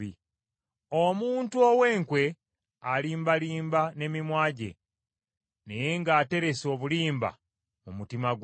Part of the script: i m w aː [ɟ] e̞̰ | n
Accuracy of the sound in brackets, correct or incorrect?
correct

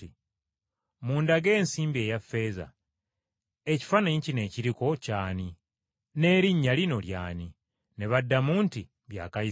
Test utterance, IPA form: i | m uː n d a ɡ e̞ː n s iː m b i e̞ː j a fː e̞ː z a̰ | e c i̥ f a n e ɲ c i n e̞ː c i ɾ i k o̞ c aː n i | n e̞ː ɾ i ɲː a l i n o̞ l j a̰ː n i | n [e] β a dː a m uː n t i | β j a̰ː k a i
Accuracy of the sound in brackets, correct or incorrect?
correct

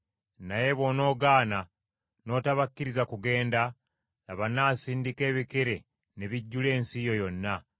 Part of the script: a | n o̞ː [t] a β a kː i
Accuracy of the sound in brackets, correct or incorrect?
correct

